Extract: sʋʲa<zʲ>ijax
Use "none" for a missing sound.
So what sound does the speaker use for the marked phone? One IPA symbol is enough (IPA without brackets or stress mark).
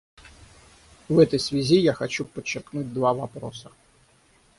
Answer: zʲ